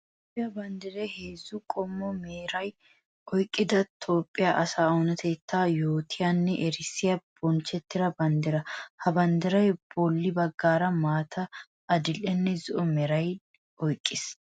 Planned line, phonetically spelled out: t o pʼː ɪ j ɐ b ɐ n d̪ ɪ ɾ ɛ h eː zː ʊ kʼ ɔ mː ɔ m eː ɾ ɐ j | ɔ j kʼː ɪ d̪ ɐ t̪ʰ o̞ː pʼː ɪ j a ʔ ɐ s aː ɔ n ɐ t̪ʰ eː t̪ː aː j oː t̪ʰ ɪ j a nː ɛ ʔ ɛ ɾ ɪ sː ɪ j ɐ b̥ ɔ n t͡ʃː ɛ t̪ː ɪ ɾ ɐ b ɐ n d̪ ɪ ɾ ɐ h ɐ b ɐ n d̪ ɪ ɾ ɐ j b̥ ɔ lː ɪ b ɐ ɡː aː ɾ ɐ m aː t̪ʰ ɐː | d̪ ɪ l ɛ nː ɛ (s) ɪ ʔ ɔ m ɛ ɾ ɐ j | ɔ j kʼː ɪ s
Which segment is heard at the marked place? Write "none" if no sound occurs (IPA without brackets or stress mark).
z